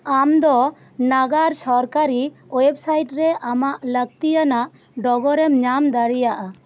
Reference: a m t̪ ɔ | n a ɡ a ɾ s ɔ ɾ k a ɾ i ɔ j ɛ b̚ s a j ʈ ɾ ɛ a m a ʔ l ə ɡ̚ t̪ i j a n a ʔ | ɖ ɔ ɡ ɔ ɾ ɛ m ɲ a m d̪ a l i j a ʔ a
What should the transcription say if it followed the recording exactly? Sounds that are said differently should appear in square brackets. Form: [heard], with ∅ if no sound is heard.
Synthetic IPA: a m [d̪] ɔ | n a ɡ a ɾ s ɔ ɾ k a ɾ i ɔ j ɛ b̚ s a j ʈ ɾ ɛ a m a ʔ l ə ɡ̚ t̪ i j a n a ʔ | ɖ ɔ ɡ ɔ ɾ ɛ m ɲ a m d̪ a [ɽ] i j a ʔ a